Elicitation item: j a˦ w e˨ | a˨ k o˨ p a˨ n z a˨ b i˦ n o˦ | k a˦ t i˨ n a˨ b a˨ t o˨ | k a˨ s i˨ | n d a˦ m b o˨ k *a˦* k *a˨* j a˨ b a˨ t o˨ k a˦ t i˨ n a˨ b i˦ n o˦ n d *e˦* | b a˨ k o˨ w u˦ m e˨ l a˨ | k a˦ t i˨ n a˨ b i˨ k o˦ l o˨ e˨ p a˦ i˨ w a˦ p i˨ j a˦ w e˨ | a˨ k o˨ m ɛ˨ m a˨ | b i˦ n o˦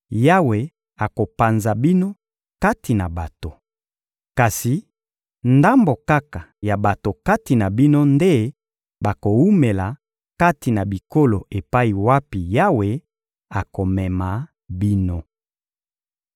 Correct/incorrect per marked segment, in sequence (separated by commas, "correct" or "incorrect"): correct, correct, correct